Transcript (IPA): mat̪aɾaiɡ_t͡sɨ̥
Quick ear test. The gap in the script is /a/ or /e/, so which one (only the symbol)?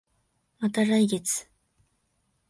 e